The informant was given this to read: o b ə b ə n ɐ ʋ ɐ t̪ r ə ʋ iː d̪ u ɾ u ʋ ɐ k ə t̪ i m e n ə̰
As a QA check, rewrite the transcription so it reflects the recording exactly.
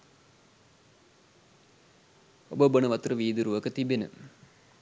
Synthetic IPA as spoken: o b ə b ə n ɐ ʋ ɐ t̪ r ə ʋ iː d̪ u ɾ u ʋ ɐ k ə t̪ i b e n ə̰

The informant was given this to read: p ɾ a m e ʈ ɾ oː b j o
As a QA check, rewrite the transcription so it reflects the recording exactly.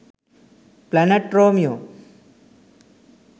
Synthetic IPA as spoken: p l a n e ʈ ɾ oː m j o

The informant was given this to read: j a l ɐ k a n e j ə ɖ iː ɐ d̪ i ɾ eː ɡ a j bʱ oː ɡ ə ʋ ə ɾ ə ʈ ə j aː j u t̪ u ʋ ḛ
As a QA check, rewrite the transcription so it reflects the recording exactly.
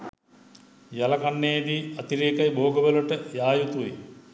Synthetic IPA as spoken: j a l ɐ k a nː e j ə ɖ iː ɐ t̪ i ɾ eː k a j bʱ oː ɡ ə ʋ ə l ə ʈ ə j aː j u t̪ u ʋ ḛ

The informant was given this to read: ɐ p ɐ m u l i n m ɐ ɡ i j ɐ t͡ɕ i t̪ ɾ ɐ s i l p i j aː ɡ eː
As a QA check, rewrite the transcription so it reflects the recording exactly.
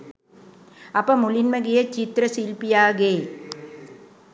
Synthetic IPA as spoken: ɐ p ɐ m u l i n m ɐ ɡ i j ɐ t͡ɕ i t̪ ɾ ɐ s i l p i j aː ɡ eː

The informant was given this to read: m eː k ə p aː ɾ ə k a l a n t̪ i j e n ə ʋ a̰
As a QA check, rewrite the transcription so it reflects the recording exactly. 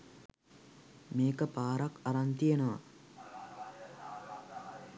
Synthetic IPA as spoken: m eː k ə p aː ɾ a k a ɾ a n t̪ i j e n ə ʋ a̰

